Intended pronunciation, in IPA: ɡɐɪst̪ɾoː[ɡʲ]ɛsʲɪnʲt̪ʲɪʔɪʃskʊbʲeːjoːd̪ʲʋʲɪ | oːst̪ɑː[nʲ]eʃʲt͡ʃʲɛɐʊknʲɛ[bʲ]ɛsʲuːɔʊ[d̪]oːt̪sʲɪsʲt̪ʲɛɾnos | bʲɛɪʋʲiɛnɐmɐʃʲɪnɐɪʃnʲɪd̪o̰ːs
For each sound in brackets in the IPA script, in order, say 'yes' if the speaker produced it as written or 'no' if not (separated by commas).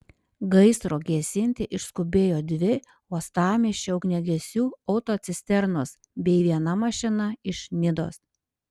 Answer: yes, no, no, no